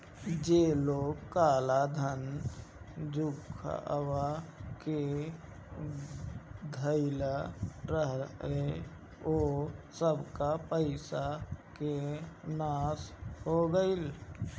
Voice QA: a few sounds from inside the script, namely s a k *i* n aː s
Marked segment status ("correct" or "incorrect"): incorrect